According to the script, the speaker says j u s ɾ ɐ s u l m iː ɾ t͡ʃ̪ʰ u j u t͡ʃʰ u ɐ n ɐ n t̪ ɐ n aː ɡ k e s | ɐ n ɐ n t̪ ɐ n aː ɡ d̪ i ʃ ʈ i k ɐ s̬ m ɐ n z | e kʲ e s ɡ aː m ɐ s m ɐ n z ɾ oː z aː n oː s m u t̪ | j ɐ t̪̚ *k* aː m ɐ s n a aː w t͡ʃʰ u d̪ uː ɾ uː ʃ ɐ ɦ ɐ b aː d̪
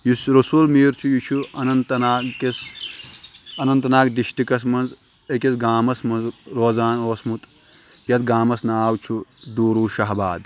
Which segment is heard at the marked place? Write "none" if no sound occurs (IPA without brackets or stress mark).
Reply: ɡ